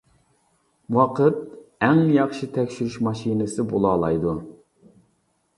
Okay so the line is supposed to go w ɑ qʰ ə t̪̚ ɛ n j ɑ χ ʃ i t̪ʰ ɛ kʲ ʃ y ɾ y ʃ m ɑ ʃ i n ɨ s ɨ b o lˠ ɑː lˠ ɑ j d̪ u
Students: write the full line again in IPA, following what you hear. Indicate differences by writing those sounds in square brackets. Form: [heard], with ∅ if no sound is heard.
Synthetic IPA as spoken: w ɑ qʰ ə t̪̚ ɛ [ŋ] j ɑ χ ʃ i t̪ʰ ɛ kʲ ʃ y ɾ y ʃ m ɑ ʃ i n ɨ s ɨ b o lˠ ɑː lˠ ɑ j d̪ u